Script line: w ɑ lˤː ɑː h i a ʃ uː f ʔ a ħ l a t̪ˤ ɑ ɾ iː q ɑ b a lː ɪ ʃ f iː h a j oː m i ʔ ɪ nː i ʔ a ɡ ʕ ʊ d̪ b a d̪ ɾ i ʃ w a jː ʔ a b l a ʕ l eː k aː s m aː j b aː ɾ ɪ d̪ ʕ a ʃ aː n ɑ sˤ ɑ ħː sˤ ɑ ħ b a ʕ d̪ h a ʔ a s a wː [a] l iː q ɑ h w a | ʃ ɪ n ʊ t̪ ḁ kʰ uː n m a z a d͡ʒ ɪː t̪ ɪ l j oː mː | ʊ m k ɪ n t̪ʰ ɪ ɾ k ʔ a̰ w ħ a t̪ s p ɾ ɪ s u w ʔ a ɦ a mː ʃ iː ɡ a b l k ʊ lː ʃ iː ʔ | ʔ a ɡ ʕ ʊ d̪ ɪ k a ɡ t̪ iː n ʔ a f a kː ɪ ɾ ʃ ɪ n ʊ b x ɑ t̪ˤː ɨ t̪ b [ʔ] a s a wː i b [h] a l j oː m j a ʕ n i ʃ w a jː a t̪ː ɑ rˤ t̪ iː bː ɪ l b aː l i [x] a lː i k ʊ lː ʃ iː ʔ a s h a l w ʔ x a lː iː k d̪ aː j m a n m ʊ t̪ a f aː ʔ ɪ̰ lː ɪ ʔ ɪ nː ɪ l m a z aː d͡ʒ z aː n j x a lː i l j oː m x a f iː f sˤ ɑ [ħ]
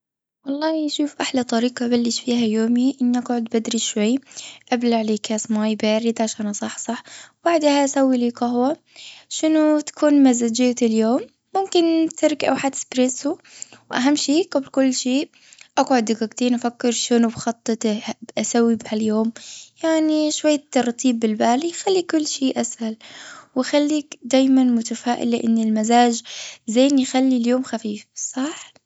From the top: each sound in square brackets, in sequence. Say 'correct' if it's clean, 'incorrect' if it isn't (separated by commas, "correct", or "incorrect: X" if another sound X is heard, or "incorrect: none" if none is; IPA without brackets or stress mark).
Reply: incorrect: i, correct, correct, correct, correct